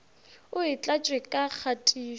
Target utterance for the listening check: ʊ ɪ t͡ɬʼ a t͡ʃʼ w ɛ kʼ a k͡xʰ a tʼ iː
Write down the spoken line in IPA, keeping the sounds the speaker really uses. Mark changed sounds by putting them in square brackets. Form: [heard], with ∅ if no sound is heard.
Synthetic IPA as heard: ʊ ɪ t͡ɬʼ a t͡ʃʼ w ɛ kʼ a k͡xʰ a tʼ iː